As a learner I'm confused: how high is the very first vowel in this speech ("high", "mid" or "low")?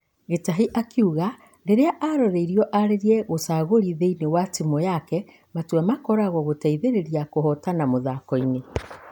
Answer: mid